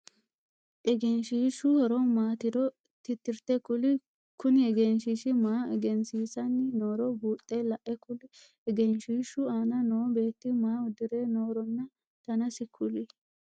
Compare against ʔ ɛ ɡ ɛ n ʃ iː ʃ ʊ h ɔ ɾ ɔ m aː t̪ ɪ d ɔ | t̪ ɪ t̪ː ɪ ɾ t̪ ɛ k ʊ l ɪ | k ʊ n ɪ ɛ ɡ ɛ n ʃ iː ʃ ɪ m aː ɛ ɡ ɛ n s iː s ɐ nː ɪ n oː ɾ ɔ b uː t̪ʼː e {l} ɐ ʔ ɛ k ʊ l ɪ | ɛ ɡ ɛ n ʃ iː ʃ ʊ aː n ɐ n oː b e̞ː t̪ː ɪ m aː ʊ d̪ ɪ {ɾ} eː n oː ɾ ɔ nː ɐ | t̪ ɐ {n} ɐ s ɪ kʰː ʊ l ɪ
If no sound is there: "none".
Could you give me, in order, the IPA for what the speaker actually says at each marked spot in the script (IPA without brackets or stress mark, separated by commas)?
l, ɾ, n